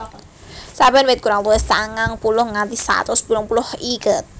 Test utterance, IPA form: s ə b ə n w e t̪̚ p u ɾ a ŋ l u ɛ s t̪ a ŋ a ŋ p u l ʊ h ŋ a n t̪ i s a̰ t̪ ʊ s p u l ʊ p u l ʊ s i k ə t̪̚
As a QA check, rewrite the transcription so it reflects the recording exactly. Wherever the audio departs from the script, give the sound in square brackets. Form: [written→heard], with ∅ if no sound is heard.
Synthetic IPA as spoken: s [ə→a] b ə n w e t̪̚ [p→k] u ɾ a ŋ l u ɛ s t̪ a ŋ a ŋ p u l ʊ h ŋ a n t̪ i s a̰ t̪ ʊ s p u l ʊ p u l ʊ [s→h] i k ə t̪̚